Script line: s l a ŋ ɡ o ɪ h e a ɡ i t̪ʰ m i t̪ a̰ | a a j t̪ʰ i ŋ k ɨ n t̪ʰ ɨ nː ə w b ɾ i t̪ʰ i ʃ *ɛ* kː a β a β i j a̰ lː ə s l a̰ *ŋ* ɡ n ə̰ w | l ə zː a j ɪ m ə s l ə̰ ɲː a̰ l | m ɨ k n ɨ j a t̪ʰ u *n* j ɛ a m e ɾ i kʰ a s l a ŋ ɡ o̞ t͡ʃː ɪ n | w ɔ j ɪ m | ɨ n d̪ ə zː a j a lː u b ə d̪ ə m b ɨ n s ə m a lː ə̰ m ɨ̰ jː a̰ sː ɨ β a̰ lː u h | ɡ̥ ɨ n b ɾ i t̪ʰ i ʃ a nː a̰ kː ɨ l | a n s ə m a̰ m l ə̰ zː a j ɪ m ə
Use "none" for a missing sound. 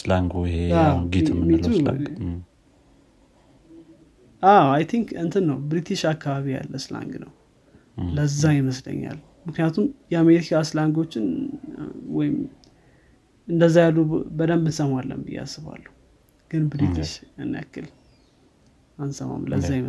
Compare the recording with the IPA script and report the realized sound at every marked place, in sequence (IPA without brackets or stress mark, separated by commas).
a, ŋ, m